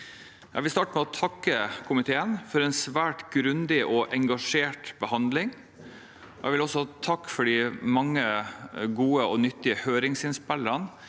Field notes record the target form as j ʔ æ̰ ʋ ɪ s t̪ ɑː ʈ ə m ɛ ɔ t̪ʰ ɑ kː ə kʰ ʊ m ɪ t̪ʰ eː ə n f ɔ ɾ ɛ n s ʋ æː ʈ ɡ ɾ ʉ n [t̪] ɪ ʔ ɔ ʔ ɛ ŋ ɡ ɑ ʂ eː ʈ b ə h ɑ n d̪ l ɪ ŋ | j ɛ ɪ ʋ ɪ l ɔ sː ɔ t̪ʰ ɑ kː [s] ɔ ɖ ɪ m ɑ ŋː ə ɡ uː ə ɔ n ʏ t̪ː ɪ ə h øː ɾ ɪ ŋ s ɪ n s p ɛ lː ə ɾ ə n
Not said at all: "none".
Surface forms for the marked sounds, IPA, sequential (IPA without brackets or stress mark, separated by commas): d̪, f